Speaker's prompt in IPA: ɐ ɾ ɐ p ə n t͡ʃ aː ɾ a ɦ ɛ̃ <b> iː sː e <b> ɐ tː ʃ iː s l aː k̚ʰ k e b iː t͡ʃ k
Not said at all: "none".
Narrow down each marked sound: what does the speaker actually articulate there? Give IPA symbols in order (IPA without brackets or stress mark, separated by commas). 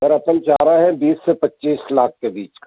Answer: b, p